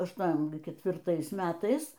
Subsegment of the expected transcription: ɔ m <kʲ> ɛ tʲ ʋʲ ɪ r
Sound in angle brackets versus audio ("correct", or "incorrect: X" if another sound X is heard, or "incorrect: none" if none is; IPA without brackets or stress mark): correct